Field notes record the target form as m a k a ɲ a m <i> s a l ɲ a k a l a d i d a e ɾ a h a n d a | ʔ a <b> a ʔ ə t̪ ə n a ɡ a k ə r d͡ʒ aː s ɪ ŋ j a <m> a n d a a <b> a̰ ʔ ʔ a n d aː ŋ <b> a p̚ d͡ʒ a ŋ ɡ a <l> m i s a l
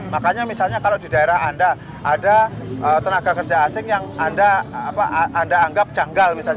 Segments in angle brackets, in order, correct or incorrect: correct, incorrect, incorrect, incorrect, incorrect, correct

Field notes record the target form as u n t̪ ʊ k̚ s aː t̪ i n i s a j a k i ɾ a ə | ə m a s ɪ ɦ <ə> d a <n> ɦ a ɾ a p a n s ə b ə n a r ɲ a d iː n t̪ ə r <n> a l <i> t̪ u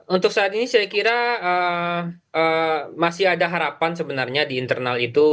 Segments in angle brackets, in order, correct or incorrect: incorrect, incorrect, correct, correct

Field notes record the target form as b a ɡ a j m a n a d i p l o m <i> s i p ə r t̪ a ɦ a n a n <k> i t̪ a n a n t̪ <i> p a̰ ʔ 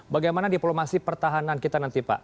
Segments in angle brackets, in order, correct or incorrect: incorrect, correct, correct

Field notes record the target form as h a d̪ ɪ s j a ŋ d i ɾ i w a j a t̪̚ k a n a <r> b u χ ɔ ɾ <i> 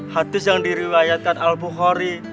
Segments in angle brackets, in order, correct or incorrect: incorrect, correct

